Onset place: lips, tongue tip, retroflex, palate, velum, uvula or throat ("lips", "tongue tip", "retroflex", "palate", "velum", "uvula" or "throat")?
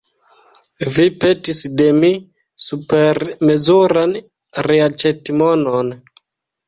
lips